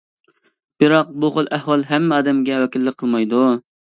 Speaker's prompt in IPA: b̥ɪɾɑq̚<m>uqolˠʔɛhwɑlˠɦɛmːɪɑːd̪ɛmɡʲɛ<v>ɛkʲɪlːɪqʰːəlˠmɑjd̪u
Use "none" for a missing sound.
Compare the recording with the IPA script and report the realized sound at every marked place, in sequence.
b, w

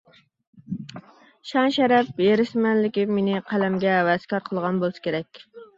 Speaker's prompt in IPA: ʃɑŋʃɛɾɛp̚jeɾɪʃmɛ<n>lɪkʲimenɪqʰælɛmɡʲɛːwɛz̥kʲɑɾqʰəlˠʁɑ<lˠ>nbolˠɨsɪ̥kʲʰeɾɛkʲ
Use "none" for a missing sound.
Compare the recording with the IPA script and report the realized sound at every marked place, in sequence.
n, none

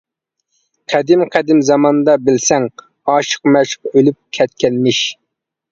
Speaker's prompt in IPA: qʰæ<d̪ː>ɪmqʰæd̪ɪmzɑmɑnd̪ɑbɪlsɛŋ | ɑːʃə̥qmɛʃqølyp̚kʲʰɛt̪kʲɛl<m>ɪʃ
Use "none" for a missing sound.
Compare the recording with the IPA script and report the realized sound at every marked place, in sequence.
d̪, m

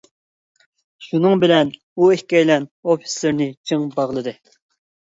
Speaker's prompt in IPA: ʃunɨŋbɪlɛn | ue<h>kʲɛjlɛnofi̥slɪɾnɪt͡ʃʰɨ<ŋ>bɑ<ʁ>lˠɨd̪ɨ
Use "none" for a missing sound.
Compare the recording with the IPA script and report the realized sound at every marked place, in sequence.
h, ŋ, ʁ

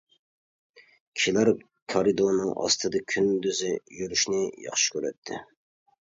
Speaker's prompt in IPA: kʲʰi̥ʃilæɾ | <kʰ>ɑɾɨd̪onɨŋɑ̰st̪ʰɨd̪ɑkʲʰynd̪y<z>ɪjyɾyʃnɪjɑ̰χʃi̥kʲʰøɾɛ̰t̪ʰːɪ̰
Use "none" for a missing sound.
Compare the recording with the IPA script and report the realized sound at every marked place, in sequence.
kʰ, z

